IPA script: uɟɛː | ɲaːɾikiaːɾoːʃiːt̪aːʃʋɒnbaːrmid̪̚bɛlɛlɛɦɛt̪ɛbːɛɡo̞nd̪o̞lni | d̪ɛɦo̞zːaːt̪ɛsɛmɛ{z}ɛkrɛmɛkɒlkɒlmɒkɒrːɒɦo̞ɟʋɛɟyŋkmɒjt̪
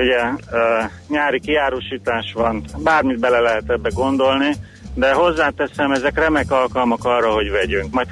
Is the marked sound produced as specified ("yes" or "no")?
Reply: yes